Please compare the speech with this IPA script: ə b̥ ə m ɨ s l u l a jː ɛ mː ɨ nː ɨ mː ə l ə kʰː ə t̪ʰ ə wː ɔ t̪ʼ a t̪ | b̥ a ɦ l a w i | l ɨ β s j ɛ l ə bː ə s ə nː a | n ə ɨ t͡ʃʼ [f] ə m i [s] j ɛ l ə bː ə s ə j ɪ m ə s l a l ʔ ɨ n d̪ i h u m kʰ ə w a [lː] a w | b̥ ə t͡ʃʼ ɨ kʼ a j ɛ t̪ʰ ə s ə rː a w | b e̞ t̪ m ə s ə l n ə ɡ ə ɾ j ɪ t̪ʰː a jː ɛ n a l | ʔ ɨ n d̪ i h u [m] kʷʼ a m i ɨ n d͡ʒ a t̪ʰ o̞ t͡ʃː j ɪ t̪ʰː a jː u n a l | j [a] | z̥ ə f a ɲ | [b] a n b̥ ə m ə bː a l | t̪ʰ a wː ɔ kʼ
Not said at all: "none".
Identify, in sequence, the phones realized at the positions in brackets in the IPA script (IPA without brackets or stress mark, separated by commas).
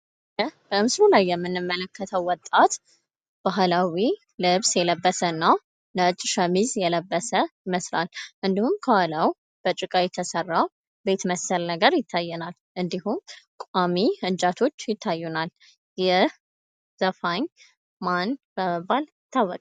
ʃ, z, l, m, ɛ, m